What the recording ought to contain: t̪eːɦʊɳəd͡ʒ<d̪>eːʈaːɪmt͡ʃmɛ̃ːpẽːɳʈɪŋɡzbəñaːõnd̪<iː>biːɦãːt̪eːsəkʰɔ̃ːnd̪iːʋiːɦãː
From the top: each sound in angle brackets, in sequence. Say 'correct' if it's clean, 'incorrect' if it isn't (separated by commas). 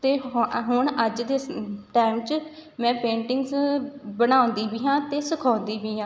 correct, correct